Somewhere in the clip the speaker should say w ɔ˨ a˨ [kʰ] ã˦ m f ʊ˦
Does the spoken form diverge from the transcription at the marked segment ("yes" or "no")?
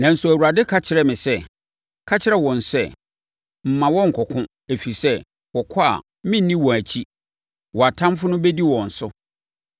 yes